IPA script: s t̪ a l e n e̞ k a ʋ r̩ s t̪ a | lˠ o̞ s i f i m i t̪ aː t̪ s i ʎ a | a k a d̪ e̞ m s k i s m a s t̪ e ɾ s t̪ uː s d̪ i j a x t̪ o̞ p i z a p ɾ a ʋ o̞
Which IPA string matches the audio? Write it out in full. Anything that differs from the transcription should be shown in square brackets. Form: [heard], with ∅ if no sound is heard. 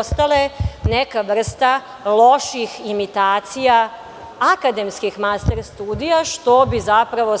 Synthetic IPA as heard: s t̪ a l e n e̞ k a ʋ r̩ s t̪ a | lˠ o̞ [ʃ] i [x] i m i t̪ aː t̪ s i [j] a | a k a d̪ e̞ m s k i [x] m a s t̪ e ɾ s t̪ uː [∅] d̪ i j a [ʃ] t̪ o̞ [b] i z a p ɾ a ʋ o̞